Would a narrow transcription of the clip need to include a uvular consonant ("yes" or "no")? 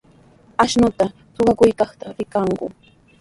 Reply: yes